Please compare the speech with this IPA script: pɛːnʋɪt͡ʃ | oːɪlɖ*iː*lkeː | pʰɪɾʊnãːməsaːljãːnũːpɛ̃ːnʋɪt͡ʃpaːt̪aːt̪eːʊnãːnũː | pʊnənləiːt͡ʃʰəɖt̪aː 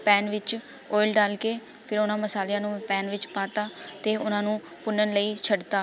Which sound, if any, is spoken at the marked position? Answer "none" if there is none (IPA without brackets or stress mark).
aː